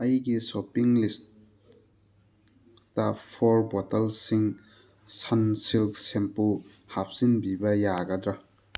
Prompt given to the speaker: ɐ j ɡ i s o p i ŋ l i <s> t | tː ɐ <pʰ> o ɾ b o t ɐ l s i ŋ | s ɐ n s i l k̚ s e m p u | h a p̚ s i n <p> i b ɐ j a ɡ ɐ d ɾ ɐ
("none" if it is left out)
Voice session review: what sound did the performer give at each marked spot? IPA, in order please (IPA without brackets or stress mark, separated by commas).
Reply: s, pʰ, b